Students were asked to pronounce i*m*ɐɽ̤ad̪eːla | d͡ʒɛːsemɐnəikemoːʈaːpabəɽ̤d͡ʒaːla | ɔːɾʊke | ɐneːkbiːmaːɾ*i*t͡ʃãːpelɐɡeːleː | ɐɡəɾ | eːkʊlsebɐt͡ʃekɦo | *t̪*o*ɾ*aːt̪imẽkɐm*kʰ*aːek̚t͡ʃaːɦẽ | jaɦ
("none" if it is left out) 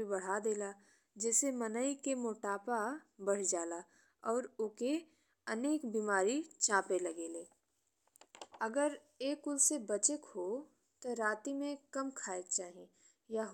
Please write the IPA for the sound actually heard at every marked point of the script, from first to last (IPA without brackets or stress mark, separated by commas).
b, i, t̪, ɾ, kʰ